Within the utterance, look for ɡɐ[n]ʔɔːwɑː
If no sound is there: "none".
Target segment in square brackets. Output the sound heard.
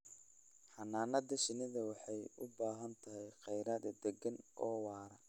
n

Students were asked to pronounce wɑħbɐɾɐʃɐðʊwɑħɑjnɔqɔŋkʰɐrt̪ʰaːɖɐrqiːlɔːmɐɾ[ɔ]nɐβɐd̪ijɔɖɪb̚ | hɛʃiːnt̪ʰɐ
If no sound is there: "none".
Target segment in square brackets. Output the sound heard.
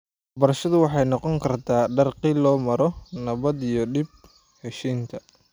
ɔ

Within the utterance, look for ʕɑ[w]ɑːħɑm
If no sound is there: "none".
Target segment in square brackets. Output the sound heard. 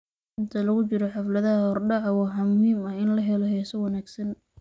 w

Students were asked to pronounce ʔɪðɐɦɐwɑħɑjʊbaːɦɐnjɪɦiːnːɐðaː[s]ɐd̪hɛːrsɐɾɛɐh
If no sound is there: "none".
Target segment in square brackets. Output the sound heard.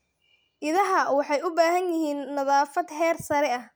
f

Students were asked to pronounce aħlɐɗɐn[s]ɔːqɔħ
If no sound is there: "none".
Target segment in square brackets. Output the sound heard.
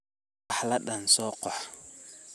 s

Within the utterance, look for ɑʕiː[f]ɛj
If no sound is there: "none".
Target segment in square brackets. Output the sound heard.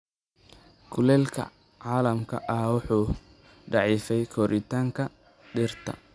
f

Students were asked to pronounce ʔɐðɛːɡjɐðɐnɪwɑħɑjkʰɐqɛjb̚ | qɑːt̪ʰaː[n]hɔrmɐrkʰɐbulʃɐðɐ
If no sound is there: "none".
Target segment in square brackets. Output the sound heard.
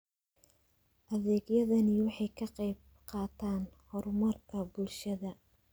n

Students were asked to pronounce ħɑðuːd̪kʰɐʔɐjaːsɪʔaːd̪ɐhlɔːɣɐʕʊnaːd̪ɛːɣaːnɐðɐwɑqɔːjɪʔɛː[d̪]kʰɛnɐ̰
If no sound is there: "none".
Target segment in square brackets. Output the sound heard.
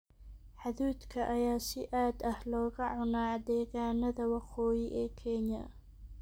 none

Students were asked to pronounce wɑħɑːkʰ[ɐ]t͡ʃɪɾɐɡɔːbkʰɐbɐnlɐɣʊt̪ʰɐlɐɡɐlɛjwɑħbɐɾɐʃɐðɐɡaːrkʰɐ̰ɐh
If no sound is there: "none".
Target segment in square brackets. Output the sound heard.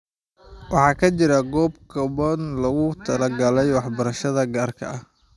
ɐ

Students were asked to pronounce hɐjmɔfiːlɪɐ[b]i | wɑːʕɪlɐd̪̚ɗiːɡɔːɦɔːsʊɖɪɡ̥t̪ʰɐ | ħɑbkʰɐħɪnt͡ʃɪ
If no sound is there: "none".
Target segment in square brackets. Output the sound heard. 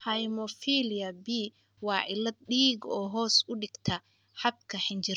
b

